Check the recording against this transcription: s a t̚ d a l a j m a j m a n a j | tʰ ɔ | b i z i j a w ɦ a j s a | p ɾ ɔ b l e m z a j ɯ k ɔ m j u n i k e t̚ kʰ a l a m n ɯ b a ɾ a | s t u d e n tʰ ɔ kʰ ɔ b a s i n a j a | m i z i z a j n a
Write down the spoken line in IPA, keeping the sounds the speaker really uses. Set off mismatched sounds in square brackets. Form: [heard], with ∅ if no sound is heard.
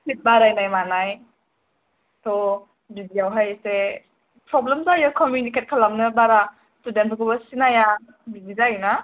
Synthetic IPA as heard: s [i] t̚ [b] a [ɾ] a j [n] a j m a n a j | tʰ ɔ | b i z i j a w ɦ a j s [e] | p ɾ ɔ b l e m z a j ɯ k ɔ m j u n i k e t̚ kʰ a l a m n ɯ b a ɾ a | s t u d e n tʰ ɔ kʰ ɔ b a s i n a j a | [b] i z i z a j n a